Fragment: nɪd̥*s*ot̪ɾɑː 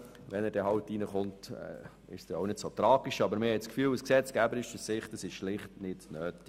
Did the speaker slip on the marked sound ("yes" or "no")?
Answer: no